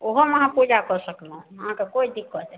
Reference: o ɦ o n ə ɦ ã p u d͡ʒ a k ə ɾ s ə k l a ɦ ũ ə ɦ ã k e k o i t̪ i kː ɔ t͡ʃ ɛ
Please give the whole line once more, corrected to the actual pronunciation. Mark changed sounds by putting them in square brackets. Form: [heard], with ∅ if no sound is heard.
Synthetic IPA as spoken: o ɦ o [m] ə ɦ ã p u d͡ʒ a k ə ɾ s ə k l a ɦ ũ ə ɦ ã k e k o i [d̪] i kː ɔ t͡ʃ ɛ